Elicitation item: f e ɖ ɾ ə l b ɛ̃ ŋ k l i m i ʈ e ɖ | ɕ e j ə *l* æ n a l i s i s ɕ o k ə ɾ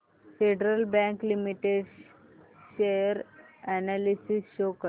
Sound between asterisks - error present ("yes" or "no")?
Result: yes